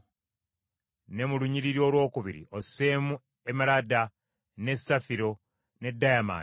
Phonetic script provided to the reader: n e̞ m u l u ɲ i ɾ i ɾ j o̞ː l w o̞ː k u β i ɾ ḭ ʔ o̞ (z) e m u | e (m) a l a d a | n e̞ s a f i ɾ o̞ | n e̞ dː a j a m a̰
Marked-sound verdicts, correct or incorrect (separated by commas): incorrect, correct